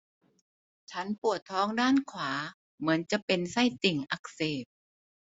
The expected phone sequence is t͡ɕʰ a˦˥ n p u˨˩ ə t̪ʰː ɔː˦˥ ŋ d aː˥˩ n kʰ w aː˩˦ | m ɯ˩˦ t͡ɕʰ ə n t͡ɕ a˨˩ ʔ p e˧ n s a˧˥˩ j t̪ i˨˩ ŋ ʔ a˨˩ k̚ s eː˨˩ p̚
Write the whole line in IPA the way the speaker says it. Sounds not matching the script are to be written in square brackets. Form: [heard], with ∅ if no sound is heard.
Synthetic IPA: t͡ɕʰ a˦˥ n p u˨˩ ə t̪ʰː ɔː˦˥ ŋ d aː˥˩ n kʰ w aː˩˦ | m ɯ˩˦ [∅] ə n t͡ɕ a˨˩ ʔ p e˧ n s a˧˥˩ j t̪ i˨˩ ŋ ʔ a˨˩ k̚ s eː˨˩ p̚